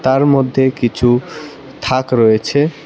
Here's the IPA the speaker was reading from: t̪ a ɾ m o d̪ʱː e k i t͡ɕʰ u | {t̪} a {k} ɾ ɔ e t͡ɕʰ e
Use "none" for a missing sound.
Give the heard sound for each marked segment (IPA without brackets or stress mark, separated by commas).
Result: t̪ʰ, k